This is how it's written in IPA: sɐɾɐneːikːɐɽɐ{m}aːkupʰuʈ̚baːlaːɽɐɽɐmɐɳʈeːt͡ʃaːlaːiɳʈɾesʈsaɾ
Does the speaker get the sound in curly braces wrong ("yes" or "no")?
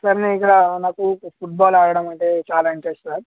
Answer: yes